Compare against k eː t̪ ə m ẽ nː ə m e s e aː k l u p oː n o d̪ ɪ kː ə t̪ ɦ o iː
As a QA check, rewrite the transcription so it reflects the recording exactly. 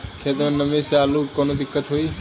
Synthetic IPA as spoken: kʰ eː t̪ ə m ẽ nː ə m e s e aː l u k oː n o d̪ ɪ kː ə t̪ ɦ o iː